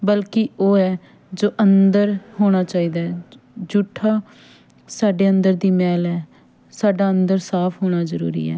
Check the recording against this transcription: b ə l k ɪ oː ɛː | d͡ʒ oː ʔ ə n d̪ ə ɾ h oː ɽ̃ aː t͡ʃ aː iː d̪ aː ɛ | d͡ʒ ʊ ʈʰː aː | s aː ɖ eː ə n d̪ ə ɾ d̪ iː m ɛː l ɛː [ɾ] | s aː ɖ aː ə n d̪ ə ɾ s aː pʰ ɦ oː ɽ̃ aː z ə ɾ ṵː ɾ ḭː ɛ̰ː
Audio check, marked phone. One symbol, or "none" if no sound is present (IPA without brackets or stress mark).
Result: none